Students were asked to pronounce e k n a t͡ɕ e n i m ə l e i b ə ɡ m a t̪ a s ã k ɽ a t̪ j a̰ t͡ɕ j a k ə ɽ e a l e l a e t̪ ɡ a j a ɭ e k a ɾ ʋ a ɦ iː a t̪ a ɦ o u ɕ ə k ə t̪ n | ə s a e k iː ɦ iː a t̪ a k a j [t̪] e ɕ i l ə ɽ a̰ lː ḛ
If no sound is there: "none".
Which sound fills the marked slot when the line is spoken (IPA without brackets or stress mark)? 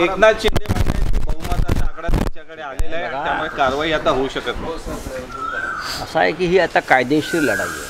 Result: d̪